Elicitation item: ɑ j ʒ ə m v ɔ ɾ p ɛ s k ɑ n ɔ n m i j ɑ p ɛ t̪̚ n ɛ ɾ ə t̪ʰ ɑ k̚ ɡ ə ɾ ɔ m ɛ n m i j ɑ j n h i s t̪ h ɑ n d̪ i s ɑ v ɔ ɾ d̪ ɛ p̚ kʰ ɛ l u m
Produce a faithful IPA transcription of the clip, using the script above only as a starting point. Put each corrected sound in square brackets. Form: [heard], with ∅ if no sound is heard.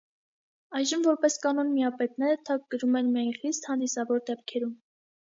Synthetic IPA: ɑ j ʒ ə m v ɔ ɾ p ɛ s k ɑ n ɔ n m i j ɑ p ɛ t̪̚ n ɛ ɾ ə t̪ʰ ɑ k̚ ɡ ə ɾ [u] m ɛ n m i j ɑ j n [χ] i s t̪ h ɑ n d̪ i s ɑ v ɔ ɾ d̪ ɛ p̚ kʰ ɛ [ɾ] u m